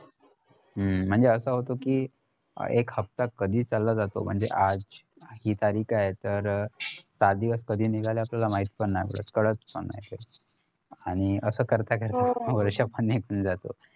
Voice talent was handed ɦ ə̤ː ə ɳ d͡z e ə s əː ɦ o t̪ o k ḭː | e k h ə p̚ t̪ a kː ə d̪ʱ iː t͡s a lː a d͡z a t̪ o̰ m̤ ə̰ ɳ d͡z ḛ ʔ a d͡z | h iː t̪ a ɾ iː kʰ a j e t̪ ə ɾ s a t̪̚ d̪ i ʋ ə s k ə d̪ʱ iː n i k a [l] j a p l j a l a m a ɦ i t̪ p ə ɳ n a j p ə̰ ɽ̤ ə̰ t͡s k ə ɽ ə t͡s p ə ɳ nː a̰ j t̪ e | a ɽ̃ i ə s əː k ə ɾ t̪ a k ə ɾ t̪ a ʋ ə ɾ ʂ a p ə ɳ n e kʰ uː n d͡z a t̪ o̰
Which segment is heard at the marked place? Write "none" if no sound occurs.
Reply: l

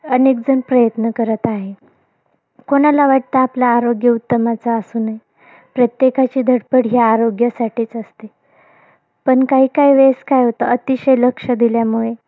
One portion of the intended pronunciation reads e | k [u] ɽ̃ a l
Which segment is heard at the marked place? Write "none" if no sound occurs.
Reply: o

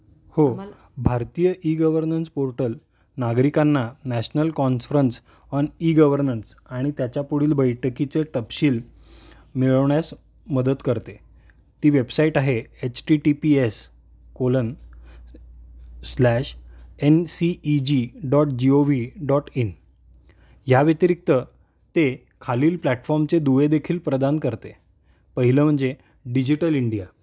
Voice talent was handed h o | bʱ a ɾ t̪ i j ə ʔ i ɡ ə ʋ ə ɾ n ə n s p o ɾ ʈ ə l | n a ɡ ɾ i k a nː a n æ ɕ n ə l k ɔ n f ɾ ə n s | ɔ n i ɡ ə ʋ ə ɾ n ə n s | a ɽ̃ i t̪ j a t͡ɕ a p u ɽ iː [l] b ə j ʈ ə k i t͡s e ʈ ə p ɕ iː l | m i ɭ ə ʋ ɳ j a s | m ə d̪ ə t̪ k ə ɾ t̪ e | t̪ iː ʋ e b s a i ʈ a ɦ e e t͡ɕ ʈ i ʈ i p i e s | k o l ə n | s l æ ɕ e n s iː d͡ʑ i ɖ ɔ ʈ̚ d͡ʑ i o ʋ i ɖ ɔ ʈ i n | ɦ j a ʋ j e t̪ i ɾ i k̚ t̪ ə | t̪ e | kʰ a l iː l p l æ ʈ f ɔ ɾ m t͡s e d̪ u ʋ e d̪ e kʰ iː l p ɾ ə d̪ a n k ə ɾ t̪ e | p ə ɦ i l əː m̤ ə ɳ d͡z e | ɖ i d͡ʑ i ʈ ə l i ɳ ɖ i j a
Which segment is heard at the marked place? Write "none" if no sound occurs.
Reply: l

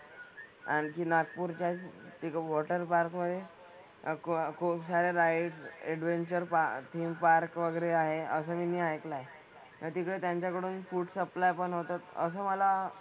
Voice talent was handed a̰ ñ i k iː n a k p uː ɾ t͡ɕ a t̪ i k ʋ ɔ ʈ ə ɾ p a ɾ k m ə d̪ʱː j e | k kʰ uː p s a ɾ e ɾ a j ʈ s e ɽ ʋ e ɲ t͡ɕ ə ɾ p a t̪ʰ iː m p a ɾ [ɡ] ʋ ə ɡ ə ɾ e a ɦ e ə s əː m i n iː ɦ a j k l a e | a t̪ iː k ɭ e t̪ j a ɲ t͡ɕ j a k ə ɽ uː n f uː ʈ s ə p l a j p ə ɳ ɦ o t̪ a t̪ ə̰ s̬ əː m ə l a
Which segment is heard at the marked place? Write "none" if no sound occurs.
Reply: k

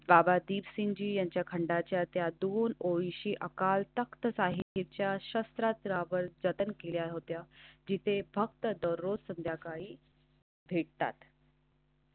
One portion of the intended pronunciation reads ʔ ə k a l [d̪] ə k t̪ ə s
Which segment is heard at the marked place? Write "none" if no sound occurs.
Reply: t̪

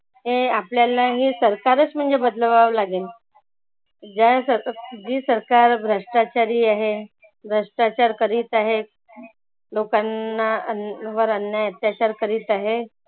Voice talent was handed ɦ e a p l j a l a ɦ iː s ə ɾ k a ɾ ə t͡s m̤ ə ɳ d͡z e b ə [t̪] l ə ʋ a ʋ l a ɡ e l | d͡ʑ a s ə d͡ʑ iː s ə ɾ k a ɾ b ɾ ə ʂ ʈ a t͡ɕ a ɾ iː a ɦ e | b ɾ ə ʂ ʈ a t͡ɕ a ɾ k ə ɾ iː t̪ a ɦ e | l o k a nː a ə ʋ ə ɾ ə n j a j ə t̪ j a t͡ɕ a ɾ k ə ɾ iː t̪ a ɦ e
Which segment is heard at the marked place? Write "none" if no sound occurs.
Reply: d̪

